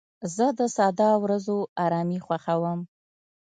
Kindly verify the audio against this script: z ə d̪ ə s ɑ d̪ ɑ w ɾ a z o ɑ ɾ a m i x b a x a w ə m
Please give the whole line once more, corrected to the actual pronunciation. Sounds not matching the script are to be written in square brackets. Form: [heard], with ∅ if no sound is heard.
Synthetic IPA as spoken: z ə d̪ ə s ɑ d̪ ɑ w ɾ a z o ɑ ɾ [ɑ] m i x [w] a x a w ə m